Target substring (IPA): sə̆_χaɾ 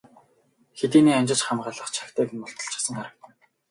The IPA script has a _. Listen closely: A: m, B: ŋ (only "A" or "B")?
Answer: B